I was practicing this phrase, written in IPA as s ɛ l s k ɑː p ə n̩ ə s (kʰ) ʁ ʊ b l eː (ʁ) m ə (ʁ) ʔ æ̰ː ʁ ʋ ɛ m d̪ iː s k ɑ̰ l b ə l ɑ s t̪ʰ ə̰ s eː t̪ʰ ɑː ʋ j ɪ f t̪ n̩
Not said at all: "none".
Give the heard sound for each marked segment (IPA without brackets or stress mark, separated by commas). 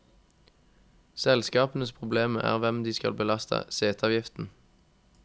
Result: pʰ, none, none